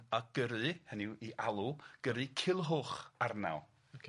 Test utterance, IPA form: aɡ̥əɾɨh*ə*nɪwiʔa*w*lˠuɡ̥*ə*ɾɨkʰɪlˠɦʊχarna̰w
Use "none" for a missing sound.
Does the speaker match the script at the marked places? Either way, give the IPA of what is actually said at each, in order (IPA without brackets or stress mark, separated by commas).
ə, none, ə